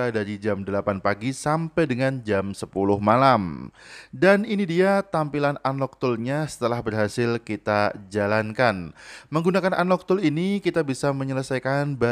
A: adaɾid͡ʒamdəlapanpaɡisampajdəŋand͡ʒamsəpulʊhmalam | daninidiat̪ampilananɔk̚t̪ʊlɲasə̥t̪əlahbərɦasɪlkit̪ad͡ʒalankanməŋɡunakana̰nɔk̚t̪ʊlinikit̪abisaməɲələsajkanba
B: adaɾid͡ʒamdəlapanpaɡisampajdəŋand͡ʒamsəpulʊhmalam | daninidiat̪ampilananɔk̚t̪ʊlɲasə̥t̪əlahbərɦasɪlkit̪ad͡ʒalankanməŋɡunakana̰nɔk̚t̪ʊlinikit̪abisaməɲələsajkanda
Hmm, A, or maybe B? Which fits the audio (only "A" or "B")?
A